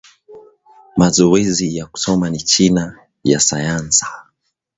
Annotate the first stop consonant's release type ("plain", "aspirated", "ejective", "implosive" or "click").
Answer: plain